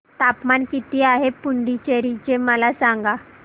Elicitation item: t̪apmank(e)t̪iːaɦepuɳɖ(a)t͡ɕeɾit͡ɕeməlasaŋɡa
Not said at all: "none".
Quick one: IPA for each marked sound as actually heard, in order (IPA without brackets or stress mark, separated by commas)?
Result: i, i